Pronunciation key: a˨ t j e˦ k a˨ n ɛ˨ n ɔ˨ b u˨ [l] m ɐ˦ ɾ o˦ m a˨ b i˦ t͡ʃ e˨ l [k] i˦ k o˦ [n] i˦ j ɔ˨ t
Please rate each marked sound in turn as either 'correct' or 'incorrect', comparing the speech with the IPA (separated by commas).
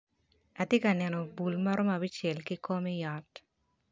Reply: correct, correct, incorrect